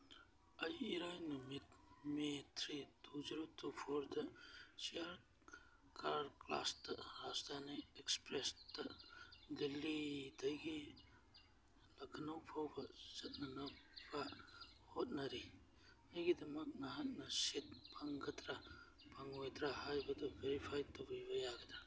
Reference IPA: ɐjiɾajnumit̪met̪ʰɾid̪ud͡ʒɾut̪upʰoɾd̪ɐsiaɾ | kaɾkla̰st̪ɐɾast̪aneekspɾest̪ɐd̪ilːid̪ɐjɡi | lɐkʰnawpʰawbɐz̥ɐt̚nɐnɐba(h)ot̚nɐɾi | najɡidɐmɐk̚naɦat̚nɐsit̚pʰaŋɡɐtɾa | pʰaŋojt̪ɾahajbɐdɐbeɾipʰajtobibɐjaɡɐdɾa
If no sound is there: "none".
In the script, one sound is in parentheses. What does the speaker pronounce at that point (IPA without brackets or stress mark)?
h